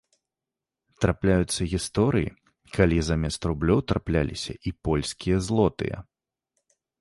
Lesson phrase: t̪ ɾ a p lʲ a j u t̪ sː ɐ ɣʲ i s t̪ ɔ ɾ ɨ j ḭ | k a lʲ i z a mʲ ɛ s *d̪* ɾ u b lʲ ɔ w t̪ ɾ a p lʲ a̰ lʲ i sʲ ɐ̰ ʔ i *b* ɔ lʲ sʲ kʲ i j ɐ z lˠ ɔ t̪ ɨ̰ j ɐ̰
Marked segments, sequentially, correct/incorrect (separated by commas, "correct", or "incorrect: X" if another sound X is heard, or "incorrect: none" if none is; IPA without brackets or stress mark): incorrect: t̪, incorrect: p